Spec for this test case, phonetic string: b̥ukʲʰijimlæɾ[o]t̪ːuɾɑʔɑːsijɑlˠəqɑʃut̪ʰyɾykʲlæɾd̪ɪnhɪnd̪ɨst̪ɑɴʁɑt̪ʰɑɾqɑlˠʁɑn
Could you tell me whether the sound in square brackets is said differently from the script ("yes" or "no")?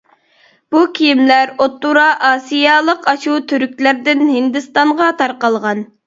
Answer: no